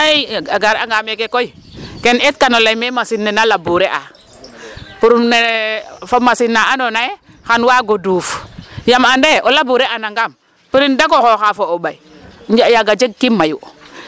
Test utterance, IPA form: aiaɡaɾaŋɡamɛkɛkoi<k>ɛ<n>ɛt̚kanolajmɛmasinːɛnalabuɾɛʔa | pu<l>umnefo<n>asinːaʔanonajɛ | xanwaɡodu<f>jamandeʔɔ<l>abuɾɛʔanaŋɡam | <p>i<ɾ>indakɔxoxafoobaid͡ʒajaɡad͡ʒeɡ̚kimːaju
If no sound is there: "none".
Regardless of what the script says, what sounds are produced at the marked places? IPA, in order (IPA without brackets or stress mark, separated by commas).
k, n, ɾ, m, f, l, p, ɾ